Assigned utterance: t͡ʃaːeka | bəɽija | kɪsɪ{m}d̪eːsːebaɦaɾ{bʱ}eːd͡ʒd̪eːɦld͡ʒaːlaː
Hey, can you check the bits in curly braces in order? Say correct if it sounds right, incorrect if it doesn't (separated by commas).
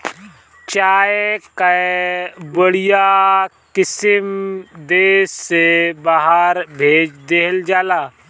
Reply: correct, correct